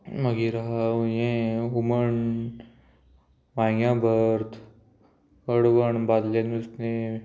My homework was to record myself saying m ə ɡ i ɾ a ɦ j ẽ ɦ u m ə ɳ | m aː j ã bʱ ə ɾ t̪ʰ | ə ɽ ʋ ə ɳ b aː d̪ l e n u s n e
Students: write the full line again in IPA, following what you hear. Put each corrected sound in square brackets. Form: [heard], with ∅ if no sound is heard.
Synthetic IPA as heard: m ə ɡ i ɾ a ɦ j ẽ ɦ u m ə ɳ | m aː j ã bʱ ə ɾ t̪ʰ | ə ɽ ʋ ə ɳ b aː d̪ l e n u s n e